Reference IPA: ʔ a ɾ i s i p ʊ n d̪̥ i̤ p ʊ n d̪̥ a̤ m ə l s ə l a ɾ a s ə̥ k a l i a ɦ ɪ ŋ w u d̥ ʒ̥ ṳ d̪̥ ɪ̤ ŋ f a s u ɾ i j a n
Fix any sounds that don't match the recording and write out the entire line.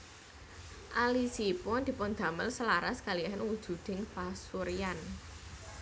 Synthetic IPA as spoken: ʔ a l i s i p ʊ n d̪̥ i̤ p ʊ n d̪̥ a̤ m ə l s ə l a ɾ a s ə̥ k a l i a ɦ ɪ n w u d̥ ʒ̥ ṳ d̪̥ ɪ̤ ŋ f a s u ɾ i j a n